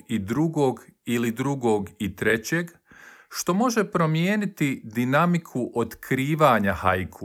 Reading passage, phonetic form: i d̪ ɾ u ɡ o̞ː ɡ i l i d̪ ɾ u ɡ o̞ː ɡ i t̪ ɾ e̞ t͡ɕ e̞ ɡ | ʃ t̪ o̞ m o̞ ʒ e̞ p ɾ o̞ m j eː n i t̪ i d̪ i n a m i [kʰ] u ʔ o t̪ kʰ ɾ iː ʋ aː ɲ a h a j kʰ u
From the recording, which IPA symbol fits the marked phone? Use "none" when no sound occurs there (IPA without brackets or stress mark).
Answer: kʰ